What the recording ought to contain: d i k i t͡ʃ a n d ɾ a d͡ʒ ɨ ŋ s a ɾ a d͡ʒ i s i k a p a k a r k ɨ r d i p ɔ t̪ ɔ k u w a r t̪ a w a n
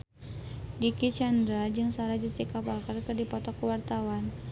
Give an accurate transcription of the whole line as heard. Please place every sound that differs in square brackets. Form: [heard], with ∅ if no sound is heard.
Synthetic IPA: d i k i t͡ʃ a n d ɾ a d͡ʒ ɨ ŋ s a ɾ a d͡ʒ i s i k a p a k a r k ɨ r d i p ɔ t̪ ɔ k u w a r t̪ a w a n